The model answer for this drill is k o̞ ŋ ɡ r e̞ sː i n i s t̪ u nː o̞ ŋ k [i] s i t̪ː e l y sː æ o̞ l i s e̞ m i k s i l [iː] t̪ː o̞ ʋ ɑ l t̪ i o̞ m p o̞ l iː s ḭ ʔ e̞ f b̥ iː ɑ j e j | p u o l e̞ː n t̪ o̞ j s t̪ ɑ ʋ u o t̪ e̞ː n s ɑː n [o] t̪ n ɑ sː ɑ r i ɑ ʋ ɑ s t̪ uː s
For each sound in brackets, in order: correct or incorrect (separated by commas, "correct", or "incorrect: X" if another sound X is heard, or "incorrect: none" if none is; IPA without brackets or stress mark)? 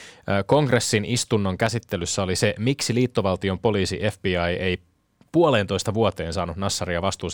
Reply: incorrect: æ, correct, incorrect: u